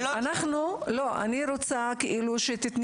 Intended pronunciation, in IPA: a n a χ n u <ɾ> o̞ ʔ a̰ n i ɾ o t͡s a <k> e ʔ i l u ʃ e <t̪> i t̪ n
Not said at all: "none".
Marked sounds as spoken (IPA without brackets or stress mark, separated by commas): l, k, t̪